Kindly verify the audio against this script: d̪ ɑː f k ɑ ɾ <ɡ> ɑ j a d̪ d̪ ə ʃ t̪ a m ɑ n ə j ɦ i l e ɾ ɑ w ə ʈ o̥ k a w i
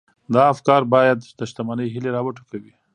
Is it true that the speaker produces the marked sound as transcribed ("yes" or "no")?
no